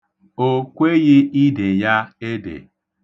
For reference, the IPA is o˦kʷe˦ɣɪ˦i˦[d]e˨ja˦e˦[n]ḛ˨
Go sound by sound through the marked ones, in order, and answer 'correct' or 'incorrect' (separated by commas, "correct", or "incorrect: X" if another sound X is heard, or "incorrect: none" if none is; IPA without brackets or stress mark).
correct, incorrect: d